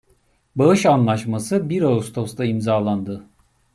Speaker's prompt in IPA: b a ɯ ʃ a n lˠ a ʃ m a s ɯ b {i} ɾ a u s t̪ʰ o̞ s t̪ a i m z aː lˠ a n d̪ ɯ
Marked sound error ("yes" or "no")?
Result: no